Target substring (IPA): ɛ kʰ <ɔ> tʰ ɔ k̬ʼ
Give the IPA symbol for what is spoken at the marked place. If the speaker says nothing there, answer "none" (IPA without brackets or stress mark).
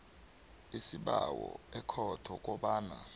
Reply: ɔ